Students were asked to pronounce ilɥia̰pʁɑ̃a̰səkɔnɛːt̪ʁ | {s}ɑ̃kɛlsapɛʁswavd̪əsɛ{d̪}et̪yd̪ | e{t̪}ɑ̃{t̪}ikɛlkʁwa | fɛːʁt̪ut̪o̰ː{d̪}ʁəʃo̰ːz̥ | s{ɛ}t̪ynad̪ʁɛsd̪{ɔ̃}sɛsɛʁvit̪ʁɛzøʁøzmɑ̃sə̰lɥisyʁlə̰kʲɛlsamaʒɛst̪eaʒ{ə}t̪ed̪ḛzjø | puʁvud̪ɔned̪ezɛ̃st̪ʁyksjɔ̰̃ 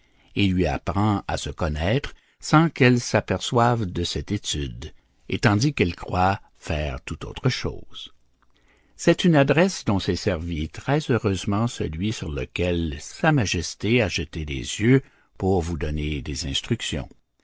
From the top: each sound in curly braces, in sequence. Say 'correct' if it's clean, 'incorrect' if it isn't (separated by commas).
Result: correct, incorrect, correct, incorrect, incorrect, correct, correct, correct